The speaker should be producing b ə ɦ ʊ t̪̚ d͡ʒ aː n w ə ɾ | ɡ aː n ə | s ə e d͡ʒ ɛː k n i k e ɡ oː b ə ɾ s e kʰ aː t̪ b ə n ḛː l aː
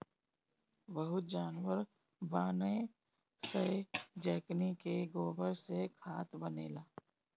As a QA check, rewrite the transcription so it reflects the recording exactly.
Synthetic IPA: b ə ɦ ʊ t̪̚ d͡ʒ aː n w ə ɾ | b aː n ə | s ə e d͡ʒ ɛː k n i k e ɡ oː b ə ɾ s e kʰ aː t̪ b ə n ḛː l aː